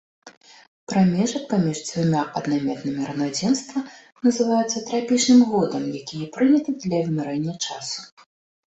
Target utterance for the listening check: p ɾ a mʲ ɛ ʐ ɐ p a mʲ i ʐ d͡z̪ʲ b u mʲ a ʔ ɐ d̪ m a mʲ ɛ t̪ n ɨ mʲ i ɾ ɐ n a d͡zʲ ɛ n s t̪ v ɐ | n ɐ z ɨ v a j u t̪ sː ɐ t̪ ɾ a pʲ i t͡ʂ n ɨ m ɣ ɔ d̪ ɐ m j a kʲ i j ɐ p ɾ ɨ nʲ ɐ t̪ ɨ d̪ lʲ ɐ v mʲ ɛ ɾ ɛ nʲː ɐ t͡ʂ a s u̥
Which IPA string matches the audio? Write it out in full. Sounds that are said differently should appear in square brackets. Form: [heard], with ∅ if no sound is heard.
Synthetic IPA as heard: p ɾ a mʲ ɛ ʐ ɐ p a mʲ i ʐ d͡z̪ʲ [v] u mʲ a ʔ ɐ d̪ [n] a mʲ ɛ t̪ n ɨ mʲ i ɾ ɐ n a d͡zʲ ɛ n s t̪ v ɐ | n ɐ z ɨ v a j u t̪ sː ɐ t̪ ɾ a pʲ i t͡ʂ n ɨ m ɣ ɔ d̪ ɐ m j a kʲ i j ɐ p ɾ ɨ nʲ ɐ t̪ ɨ d̪ lʲ ɐ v mʲ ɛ ɾ ɛ nʲː ɐ t͡ʂ a s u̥